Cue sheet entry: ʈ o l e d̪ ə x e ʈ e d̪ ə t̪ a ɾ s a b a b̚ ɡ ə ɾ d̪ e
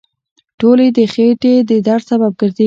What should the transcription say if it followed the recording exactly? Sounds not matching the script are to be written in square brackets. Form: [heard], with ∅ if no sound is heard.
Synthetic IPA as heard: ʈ o l e d̪ ə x e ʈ e d̪ ə [d̪] a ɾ s a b a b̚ ɡ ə ɾ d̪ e

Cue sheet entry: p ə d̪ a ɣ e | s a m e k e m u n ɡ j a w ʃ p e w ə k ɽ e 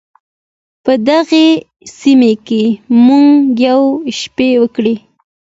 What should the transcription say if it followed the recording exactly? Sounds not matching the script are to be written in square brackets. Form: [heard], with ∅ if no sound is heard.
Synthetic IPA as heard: p ə d̪ a ɣ e | s [i] m e k e m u [ŋ] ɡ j a w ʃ p e w ə k ɽ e

